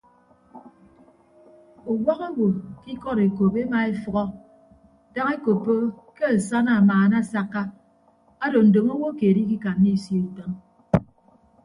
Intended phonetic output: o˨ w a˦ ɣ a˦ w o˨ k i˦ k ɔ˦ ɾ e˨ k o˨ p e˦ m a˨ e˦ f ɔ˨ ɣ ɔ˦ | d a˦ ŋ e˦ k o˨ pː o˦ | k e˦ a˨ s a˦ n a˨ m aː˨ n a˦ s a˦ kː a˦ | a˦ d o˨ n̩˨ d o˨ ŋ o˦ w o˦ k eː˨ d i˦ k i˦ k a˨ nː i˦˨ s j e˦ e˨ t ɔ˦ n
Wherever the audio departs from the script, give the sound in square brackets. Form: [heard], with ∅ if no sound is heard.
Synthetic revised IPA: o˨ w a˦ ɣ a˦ w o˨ k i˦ k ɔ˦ ɾ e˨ k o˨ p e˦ m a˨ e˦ f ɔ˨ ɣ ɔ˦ | d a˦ ŋ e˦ k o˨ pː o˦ | k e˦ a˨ s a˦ n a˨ m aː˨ n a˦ s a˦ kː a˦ | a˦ d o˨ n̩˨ d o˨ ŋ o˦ w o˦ k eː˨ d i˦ k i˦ k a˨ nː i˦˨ s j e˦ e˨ t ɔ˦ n